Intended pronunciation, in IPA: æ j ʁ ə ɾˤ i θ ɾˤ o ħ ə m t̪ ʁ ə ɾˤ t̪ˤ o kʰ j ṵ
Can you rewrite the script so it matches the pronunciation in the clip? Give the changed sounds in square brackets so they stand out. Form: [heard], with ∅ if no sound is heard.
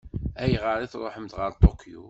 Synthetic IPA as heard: æ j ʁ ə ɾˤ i θ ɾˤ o ħ ə m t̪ ʁ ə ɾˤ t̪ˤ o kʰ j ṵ